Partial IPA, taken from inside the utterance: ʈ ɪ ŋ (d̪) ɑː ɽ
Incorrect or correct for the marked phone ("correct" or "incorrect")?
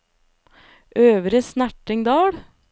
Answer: correct